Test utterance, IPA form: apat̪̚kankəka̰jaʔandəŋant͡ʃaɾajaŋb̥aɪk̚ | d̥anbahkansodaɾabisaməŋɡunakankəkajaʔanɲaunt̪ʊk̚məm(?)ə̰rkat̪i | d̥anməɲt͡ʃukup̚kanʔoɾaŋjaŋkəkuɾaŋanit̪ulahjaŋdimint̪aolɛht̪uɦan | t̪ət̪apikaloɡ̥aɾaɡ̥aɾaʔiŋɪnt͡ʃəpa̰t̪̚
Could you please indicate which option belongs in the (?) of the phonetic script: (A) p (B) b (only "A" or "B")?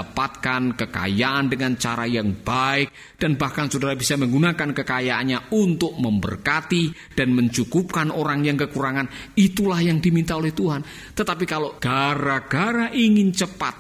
B